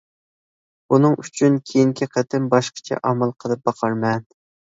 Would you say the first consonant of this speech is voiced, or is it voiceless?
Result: voiced